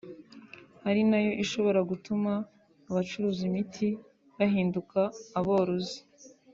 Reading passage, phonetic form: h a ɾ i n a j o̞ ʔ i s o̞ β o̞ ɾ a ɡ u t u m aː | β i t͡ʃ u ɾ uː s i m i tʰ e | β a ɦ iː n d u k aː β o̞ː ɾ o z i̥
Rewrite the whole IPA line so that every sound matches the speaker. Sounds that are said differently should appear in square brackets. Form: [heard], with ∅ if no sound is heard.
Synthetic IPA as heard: h a ɾ i n a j o̞ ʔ i [ʃ] o̞ β o̞ ɾ a ɡ u t u m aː | β [a] t͡ʃ u ɾ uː [z] i m i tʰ [i] | β a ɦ iː n d u k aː β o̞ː ɾ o z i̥